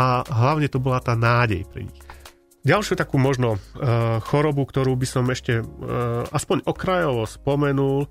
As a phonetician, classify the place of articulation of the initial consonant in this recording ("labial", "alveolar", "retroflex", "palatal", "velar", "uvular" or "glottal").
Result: glottal